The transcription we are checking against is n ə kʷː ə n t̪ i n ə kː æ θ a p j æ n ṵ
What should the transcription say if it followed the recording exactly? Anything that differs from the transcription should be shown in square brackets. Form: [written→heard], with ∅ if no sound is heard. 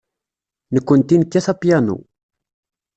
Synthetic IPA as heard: n ə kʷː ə n t̪ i n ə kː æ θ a p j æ n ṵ